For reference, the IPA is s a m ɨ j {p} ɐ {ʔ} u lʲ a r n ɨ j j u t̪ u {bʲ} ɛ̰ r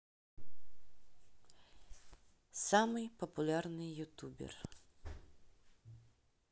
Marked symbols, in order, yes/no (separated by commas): yes, no, yes